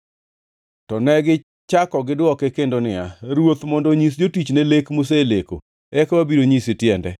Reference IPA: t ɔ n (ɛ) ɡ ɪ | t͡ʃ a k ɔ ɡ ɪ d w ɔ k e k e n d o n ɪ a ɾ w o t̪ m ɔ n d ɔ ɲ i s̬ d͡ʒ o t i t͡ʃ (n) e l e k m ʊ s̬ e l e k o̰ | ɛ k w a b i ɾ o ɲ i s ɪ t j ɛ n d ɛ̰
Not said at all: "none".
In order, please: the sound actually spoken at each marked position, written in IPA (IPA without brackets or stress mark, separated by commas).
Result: ɛ, n